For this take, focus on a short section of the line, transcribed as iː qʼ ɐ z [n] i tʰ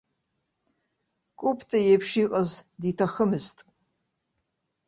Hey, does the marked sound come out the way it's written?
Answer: no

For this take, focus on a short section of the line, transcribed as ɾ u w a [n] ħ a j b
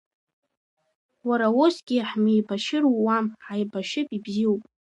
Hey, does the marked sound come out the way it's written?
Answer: no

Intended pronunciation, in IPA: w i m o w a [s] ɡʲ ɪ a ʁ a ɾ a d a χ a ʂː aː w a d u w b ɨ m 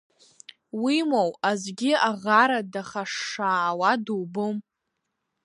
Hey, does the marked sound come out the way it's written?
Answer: no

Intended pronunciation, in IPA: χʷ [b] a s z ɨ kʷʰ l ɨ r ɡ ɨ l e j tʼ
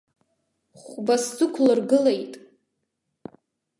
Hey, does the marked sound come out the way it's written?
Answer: yes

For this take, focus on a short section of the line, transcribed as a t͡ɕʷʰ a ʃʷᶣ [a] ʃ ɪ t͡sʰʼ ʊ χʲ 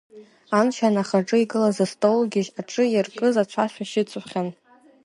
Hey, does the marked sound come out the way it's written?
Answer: yes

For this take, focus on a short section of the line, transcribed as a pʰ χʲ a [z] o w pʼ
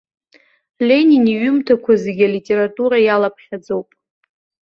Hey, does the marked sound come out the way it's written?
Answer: no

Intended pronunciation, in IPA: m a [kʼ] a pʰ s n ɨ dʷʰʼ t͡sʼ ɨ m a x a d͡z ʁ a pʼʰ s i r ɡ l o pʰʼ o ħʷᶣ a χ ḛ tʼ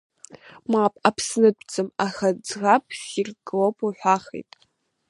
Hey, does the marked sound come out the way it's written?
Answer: no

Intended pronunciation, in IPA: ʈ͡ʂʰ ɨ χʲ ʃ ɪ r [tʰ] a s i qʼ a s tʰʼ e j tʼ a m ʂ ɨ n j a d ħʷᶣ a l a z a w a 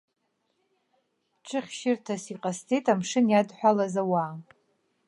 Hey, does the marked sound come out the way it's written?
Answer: yes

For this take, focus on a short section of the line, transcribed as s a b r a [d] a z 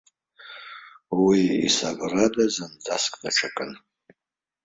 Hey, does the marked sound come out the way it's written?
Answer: yes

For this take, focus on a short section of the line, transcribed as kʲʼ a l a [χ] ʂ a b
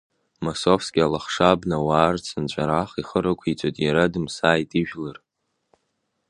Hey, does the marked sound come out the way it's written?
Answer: yes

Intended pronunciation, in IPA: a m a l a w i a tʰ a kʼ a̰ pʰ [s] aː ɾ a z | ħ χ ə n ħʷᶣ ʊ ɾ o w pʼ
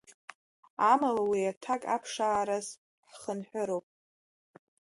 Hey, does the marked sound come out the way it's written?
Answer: no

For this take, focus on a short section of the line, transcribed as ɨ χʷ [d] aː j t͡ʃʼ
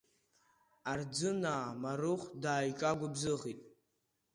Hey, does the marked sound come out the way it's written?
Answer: yes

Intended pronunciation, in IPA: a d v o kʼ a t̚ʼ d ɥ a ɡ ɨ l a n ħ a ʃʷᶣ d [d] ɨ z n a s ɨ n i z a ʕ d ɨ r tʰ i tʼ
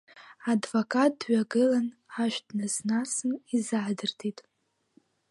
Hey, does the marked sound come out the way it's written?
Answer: no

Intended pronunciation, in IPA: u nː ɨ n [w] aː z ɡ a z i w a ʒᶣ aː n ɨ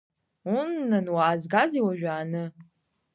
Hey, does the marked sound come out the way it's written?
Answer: yes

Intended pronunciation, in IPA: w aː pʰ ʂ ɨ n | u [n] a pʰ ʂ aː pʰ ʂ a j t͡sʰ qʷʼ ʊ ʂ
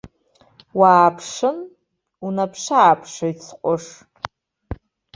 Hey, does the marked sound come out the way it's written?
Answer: yes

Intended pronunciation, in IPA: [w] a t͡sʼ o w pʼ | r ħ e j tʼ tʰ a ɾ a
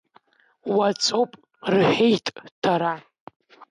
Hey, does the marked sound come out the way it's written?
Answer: yes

